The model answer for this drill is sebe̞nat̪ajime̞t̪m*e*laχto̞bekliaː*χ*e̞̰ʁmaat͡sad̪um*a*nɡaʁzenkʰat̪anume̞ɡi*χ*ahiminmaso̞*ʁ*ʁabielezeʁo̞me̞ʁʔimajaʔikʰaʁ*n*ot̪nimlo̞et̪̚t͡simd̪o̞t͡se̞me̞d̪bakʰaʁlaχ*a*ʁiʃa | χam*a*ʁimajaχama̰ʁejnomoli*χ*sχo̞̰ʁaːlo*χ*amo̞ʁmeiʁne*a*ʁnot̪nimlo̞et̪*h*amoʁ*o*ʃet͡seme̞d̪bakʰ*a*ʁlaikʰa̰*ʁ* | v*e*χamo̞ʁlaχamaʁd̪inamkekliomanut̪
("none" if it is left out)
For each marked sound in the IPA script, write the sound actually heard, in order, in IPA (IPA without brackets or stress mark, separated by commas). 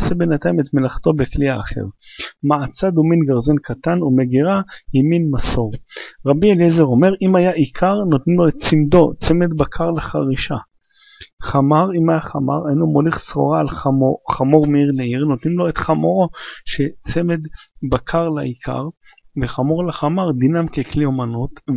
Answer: e, χ, i, ʁ, ʁ, n, a, a, χ, χ, i, χ, o, a, ʁ, e